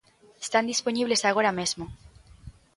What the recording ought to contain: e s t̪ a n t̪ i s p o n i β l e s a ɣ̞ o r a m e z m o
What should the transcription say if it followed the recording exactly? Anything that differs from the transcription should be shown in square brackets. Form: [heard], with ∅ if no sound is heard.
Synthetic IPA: e s t̪ a n [d̪] i s p o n i β l e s a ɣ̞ o [ɾ] a m e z m o